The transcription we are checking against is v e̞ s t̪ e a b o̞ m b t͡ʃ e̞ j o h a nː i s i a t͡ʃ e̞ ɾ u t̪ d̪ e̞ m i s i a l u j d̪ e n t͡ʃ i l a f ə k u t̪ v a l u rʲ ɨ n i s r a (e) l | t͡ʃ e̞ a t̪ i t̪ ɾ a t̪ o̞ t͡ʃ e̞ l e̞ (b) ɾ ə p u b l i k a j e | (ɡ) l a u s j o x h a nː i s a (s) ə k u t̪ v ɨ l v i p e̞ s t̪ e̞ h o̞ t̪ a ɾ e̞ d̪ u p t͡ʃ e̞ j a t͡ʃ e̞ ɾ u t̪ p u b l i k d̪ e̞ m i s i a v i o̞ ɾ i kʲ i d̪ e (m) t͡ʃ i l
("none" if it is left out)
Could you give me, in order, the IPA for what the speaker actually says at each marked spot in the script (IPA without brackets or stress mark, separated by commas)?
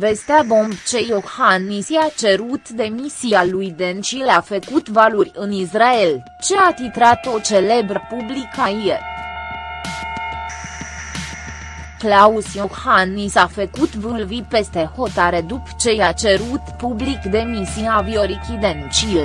e, b, k, f, n